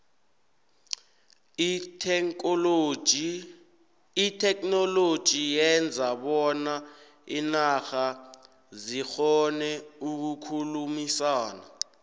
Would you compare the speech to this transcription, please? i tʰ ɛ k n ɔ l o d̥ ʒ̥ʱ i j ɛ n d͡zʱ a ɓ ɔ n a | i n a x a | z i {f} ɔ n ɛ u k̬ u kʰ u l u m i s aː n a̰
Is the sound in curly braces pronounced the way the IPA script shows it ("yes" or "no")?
no